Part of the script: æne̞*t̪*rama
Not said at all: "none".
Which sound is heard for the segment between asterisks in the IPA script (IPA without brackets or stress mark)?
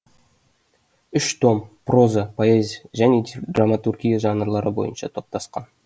d̪